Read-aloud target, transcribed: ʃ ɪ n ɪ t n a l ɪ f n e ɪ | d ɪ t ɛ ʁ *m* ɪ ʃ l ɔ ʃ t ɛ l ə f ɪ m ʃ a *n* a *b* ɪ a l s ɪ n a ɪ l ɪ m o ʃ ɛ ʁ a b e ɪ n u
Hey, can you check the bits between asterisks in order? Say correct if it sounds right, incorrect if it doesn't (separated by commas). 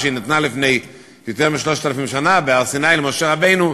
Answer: correct, correct, correct